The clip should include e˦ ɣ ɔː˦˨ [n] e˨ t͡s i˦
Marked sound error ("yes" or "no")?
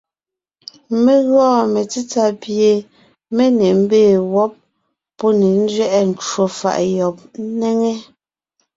yes